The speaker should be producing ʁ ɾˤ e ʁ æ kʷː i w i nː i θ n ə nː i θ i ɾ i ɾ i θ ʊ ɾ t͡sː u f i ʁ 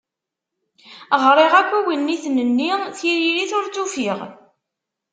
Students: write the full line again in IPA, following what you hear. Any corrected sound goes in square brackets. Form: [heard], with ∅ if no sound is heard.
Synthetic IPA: ʁ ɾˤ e ʁ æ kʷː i w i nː i θ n ə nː i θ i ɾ i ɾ i θ ʊ ɾ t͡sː u f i ʁ